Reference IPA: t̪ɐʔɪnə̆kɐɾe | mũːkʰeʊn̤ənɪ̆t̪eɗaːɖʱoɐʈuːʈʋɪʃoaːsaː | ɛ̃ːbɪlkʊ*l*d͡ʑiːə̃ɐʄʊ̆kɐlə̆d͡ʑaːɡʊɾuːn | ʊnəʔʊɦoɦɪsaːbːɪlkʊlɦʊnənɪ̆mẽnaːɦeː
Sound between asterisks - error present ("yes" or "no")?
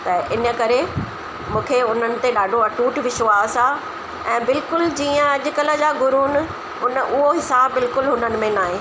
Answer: no